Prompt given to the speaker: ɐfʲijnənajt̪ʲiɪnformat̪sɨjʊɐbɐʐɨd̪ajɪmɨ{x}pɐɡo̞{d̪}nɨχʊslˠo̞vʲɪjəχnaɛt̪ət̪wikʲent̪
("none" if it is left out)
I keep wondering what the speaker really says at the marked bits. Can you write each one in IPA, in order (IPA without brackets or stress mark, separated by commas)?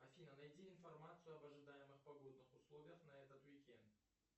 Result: χ, d̪